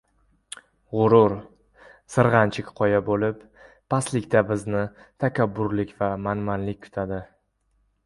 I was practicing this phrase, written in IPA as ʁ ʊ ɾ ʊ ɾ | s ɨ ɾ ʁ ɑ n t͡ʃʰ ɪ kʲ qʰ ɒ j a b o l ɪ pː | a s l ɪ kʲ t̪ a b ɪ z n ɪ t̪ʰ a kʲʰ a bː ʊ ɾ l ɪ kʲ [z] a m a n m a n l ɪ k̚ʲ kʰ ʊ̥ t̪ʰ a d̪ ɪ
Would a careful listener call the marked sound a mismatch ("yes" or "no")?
yes